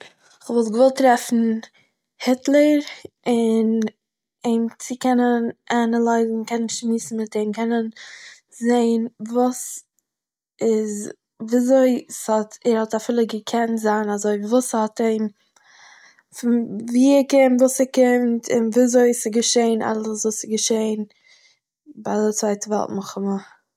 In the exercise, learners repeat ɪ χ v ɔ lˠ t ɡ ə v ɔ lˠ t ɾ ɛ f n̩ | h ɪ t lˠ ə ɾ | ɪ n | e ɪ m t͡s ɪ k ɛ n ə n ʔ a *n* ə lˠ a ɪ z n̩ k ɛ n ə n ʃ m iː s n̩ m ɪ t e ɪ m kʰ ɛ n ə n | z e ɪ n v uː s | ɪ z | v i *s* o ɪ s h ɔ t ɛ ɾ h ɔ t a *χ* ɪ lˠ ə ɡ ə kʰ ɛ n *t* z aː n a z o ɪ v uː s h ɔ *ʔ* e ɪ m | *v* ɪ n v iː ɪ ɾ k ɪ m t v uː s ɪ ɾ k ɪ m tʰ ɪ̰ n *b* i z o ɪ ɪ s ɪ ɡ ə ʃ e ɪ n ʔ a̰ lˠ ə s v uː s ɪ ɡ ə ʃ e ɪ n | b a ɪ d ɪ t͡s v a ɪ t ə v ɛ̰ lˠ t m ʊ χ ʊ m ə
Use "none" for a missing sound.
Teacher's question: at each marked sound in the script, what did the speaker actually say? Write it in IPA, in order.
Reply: n, z, f, t, t, f, v

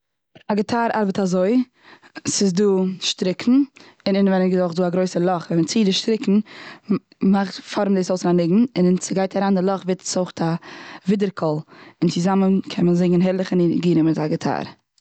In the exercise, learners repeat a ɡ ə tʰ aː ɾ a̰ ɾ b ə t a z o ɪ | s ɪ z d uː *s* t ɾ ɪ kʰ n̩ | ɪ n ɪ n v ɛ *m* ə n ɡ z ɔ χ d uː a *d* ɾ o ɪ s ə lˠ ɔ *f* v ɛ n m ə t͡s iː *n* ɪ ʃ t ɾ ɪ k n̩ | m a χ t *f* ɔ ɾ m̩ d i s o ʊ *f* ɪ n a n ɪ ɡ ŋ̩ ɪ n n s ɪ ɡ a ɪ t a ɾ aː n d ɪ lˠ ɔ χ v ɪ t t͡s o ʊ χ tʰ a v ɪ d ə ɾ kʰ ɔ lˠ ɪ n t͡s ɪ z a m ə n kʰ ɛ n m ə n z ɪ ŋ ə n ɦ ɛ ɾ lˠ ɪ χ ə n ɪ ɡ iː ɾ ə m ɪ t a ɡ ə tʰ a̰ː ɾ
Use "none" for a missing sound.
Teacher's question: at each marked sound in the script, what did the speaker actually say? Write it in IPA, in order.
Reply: ʃ, n, ɡ, χ, d, f, s

